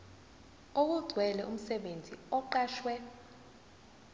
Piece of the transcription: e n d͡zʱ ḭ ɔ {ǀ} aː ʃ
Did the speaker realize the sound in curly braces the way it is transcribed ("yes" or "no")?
no